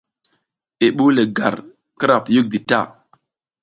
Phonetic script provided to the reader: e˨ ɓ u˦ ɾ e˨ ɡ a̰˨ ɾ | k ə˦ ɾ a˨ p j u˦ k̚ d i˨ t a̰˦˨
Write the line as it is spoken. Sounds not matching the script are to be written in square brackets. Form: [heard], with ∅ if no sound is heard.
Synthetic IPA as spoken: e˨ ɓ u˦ [l] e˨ ɡ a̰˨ ɾ | k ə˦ ɾ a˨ p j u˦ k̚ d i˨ t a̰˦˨